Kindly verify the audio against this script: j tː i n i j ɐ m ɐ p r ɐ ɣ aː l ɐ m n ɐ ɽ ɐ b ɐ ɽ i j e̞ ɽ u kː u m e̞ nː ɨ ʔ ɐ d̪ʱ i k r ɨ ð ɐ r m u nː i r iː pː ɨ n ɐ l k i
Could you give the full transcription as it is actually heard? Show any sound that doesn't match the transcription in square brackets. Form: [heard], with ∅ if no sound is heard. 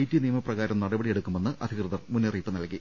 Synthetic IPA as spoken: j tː i n i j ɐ m ɐ p r ɐ ɣ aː [ɾ] ɐ m n ɐ ɽ ɐ b ɐ ɽ i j e̞ ɽ u kː u m e̞ nː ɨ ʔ ɐ d̪ʱ i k r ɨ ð ɐ r m u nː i r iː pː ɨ n ɐ l k i

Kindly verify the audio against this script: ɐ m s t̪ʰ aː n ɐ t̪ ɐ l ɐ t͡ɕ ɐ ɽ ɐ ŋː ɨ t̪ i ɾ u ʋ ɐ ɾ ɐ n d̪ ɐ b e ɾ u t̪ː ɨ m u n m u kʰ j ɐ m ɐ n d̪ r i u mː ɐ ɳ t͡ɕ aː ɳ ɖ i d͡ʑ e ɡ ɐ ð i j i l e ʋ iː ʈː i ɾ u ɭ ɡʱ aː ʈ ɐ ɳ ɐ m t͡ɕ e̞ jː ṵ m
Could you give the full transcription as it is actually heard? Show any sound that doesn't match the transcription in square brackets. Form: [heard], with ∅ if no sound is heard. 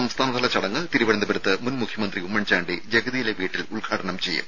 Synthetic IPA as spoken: ɐ m s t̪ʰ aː n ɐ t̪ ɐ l ɐ t͡ɕ ɐ ɽ ɐ ŋː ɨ t̪ i ɾ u ʋ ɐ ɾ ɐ n d̪ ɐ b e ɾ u t̪ː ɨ m u n m u kʰ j ɐ m ɐ n d̪ r i u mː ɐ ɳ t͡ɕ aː ɳ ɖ i d͡ʑ e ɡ ɐ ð i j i l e ʋ iː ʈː i [l] u ɭ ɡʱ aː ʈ ɐ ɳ ɐ m t͡ɕ e̞ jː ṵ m

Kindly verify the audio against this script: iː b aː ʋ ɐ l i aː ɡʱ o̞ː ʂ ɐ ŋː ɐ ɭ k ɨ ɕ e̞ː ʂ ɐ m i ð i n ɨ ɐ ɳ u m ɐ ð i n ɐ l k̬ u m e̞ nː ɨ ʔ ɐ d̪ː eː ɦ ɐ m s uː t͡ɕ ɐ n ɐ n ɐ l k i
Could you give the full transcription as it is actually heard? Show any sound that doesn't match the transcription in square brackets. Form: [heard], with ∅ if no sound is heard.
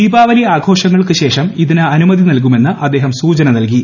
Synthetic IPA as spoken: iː b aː ʋ ɐ l i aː ɡʱ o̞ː ʂ ɐ ŋː ɐ ɭ k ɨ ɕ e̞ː ʂ ɐ m i ð i n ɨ ɐ [n] u m ɐ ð i n ɐ l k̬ u m e̞ nː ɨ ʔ ɐ d̪ː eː ɦ ɐ m s uː t͡ɕ ɐ n ɐ n ɐ l k i

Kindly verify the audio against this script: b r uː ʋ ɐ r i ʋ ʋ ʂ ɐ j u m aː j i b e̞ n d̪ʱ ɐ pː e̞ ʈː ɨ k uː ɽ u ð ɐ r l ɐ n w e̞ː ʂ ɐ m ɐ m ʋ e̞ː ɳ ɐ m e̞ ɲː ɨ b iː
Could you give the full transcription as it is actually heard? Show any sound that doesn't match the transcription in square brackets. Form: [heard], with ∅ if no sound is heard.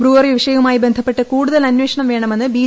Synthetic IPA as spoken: b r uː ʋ ɐ r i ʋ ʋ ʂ ɐ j u m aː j i b e̞ n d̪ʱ ɐ pː e̞ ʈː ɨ k uː ɽ u ð ɐ [∅] l ɐ n w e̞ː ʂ ɐ [ɳ] ɐ m ʋ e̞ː ɳ ɐ m e̞ [nː] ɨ b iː

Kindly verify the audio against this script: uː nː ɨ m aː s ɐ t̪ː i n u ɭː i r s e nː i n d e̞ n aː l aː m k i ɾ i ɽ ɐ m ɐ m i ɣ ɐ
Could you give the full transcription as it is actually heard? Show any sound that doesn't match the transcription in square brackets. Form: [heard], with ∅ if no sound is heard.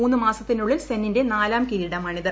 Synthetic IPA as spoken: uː nː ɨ m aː s ɐ t̪ː i n u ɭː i [l] s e nː i n d e̞ n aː l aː m k i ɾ i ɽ ɐ m ɐ [ɳ] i [ð] ɐ

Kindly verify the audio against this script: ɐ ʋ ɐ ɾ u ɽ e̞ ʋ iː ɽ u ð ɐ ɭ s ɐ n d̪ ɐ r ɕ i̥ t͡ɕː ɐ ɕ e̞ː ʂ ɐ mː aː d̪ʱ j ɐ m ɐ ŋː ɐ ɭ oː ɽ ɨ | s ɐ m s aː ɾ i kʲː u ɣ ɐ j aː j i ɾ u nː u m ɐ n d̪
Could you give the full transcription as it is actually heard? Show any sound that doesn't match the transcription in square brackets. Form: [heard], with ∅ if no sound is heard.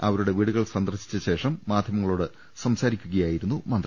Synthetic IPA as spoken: ɐ ʋ ɐ ɾ u ɽ e̞ ʋ iː ɽ u [ɣ] ɐ ɭ s ɐ n d̪ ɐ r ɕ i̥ t͡ɕː ɐ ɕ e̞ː ʂ ɐ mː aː d̪ʱ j ɐ m ɐ ŋː ɐ ɭ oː ɽ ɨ | s ɐ m s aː ɾ i kʲː u ɣ ɐ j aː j i ɾ u nː u m ɐ n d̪

